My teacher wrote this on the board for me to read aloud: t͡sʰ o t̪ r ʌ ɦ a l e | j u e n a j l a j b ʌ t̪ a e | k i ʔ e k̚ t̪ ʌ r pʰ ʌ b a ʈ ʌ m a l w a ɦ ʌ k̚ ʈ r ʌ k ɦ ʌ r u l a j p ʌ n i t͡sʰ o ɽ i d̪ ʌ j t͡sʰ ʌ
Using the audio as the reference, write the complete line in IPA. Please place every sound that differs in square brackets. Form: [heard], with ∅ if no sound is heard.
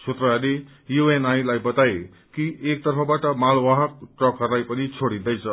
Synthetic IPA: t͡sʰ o t̪ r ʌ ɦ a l e | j u e n a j l a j b ʌ t̪ a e | k i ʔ e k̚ t̪ ʌ r pʰ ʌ b a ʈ ʌ m a l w a ɦ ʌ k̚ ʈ r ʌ k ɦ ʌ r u l a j p ʌ n i t͡sʰ o ɽ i d̪ ʌ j t͡sʰ ʌ